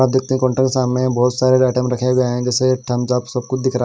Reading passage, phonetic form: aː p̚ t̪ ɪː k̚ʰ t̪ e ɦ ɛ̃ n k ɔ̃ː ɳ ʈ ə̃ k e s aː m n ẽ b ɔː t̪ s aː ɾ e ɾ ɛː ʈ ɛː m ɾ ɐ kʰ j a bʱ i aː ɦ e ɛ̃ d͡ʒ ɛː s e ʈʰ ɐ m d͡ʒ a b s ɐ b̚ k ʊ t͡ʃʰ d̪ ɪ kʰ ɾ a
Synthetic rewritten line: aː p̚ d̪ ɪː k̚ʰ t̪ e ɦ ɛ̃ k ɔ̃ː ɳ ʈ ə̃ k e s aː m n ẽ b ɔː t̪ s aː ɾ e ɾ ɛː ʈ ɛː m ɾ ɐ kʰ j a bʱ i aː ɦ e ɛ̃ d͡ʒ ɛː s e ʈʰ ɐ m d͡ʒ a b s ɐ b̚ k ʊ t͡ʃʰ d̪ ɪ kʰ ɾ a